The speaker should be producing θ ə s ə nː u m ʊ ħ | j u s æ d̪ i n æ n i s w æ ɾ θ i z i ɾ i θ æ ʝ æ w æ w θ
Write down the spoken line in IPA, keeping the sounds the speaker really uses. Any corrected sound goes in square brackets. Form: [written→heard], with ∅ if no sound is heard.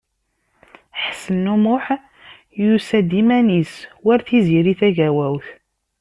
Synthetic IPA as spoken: [θ→ħ] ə s ə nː u m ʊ ħ | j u s æ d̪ i [n→m] æ n i s w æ ɾ θ i z i ɾ i θ æ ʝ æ w æ w θ